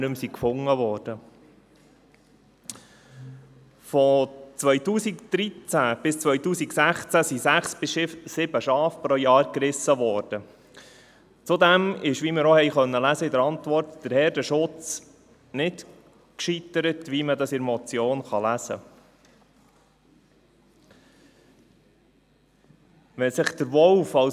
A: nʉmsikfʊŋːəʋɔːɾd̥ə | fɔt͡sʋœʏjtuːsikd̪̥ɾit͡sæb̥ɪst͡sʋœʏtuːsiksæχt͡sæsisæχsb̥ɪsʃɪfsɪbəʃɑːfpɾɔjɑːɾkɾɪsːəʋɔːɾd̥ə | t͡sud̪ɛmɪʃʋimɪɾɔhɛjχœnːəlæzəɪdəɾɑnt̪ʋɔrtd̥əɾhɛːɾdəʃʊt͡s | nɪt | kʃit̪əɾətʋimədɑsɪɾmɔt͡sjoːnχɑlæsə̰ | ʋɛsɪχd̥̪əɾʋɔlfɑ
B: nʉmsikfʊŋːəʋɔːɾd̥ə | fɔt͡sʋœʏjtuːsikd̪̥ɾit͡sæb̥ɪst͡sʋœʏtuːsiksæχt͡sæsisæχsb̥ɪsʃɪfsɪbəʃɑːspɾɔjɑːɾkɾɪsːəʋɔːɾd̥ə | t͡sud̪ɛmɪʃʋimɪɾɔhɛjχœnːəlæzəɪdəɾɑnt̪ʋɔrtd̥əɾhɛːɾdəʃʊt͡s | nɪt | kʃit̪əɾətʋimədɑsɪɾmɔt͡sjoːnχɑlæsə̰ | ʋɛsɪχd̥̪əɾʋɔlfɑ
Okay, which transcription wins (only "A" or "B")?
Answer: A